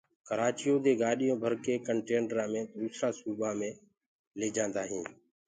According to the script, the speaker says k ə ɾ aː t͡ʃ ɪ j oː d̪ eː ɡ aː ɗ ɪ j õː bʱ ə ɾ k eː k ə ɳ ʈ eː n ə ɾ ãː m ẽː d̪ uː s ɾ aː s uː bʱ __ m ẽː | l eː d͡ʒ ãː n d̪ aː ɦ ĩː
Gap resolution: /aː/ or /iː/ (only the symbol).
aː